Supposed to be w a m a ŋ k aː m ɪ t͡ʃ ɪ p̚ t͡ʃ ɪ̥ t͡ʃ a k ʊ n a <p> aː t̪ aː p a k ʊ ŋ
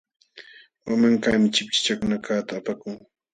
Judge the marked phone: incorrect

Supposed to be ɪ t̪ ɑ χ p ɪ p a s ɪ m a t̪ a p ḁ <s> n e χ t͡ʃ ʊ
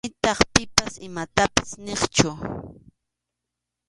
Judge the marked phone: correct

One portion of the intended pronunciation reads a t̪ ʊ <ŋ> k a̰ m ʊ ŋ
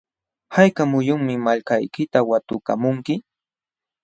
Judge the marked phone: incorrect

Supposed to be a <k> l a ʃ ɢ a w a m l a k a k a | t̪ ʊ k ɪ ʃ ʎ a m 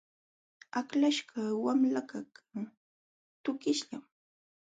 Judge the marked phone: correct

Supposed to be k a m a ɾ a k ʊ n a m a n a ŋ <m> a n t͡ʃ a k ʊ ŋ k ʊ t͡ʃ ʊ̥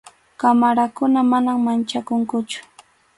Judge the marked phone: correct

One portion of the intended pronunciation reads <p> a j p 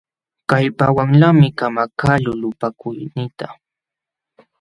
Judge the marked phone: incorrect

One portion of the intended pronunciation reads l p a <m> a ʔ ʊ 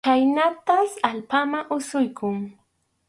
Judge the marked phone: correct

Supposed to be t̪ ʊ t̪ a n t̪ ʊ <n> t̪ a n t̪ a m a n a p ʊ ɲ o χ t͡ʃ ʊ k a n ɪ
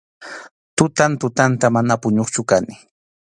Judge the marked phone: incorrect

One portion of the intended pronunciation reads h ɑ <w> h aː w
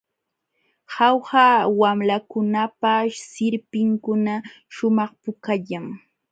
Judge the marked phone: correct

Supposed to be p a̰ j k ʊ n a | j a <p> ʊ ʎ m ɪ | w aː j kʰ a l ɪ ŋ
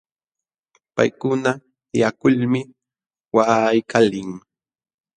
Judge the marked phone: incorrect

